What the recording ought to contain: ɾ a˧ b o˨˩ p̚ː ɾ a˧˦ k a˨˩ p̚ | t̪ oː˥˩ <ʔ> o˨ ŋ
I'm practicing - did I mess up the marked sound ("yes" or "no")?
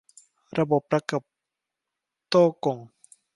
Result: yes